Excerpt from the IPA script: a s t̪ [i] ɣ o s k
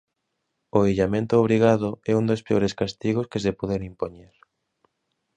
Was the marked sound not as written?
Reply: no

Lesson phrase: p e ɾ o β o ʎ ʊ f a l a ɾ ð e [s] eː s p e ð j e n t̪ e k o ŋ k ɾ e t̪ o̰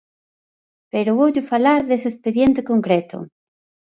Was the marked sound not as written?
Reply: no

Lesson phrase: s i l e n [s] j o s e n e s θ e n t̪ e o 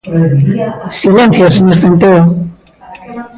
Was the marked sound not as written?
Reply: yes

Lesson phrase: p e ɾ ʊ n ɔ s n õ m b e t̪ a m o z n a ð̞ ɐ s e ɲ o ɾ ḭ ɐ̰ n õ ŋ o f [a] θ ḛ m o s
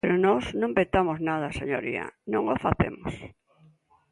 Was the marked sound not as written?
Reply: no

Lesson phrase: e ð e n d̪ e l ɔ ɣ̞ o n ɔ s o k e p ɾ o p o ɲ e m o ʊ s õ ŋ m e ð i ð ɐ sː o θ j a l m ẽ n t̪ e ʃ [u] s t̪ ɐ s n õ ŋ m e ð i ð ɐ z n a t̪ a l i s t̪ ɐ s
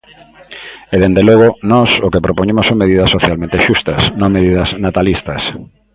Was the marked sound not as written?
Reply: no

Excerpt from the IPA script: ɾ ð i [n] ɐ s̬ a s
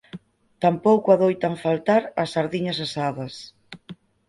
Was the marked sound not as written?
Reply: yes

